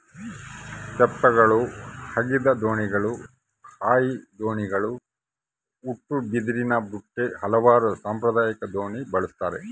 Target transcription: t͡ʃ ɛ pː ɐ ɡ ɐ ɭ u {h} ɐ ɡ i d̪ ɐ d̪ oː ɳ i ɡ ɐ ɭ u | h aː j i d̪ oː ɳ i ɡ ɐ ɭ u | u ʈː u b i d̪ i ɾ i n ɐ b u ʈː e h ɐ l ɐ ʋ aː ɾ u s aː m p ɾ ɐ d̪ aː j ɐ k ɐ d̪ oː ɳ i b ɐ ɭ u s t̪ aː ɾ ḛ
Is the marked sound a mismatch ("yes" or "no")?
no